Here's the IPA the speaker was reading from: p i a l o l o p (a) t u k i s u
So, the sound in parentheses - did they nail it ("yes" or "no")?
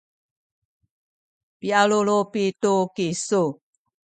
no